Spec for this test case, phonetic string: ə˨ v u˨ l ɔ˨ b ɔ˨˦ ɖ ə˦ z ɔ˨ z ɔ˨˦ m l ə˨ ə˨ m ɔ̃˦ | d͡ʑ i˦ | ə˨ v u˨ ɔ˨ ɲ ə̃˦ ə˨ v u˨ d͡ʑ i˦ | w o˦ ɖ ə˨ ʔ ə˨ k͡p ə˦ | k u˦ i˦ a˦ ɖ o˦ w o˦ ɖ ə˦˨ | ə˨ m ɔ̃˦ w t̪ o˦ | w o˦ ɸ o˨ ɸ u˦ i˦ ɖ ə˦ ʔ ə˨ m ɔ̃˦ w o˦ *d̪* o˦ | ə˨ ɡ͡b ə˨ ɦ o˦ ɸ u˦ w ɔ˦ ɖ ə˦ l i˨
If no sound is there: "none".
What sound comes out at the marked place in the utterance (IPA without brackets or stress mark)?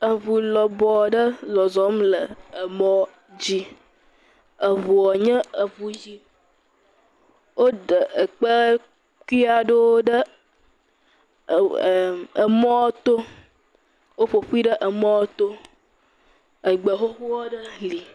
t̪